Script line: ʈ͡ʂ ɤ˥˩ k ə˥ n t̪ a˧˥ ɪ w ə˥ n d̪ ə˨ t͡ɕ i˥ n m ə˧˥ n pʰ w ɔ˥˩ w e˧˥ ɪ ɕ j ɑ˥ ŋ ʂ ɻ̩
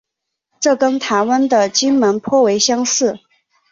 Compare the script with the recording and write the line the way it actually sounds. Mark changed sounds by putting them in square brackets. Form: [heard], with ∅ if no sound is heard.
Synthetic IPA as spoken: ʈ͡ʂ ɤ˥˩ k ə˥ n [t̪ʰ] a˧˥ ɪ w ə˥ n d̪ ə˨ t͡ɕ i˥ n m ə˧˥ n pʰ w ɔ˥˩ w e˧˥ ɪ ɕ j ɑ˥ ŋ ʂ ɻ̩